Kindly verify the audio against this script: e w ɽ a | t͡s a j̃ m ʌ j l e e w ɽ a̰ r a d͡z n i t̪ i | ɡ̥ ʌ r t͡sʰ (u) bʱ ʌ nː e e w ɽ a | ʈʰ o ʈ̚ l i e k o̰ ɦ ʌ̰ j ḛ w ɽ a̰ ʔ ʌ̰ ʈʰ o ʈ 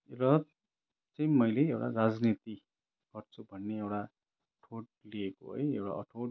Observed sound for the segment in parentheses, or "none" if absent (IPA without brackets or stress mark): u